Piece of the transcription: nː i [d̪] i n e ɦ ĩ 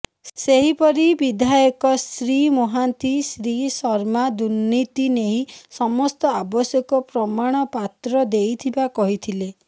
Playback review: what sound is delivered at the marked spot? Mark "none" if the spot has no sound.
t̪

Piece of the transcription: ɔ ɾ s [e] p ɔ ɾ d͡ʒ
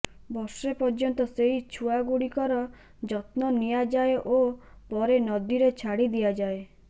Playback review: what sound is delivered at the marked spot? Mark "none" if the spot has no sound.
e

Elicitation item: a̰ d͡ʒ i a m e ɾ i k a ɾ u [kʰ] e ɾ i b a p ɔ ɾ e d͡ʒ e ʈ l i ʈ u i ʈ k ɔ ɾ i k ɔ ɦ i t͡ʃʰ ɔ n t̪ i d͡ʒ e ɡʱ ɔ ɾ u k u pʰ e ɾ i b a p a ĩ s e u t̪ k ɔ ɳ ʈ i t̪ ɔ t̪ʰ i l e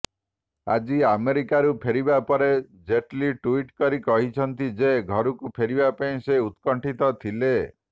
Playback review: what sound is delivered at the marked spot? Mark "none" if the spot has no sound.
pʰ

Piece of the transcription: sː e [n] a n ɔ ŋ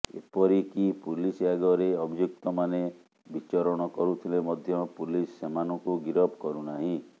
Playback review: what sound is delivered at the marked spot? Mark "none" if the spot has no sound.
m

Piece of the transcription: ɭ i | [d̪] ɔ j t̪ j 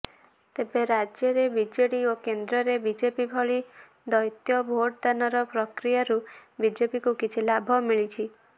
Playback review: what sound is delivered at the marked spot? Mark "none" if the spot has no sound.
d̪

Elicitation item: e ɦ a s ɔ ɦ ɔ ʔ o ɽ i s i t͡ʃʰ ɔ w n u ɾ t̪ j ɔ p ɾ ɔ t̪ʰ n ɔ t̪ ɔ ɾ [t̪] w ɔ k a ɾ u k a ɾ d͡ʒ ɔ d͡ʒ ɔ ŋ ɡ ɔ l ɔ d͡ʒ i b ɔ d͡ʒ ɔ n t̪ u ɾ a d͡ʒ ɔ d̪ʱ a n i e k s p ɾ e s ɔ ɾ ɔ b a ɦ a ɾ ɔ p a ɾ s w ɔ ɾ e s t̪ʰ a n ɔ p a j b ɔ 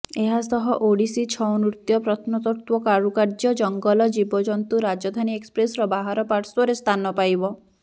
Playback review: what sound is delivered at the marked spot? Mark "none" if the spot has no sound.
t̪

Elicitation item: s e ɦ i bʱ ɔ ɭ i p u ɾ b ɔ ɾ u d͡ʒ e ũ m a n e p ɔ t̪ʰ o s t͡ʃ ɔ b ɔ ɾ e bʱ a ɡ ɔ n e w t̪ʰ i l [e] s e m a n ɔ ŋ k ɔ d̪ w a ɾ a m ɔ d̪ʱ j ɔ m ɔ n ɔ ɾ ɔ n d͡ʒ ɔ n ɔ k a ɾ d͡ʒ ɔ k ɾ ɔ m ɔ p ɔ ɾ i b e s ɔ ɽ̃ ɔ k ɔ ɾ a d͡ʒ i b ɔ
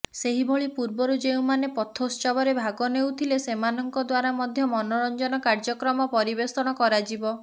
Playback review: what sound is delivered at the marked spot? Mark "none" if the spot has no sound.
e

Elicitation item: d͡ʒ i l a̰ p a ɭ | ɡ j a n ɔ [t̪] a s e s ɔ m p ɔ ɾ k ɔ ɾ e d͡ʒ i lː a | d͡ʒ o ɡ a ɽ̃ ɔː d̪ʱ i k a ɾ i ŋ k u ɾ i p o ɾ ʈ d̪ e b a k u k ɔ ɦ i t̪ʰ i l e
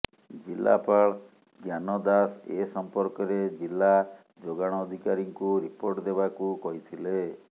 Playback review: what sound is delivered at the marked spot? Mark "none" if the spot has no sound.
d̪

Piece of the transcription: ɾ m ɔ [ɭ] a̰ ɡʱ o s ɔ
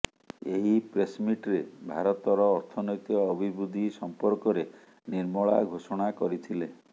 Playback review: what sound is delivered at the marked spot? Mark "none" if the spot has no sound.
ɭ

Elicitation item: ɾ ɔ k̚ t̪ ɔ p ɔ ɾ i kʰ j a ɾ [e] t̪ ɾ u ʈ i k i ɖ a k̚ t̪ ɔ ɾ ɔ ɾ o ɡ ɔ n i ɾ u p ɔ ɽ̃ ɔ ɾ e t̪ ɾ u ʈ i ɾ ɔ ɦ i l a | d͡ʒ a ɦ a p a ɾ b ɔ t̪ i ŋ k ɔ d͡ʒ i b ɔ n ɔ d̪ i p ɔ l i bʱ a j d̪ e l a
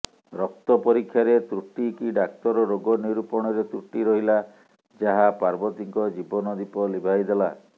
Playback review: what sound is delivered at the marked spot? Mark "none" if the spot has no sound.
e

